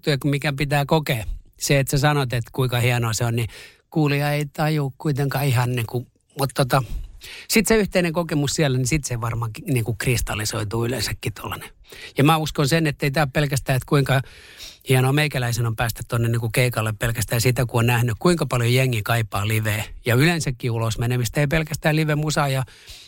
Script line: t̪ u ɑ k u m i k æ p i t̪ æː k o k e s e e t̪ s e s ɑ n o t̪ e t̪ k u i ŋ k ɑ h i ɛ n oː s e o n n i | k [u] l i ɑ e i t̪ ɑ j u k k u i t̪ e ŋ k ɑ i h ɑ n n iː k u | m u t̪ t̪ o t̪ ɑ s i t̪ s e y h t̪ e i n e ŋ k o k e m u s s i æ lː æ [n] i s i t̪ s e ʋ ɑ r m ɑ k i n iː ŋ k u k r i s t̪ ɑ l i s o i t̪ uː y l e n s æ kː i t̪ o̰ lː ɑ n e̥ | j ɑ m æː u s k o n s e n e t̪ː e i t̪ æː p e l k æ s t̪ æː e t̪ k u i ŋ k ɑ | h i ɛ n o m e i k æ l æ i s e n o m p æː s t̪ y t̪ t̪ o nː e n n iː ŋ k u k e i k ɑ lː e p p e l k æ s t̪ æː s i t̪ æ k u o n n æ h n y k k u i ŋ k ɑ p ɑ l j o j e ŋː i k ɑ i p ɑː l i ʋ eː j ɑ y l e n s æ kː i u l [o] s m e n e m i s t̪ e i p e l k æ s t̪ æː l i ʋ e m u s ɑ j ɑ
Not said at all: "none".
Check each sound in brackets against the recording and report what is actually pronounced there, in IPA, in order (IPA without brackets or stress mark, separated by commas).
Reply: uː, n, o